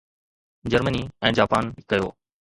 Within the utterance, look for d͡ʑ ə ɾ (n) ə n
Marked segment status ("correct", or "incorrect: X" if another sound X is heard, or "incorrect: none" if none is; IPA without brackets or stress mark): incorrect: m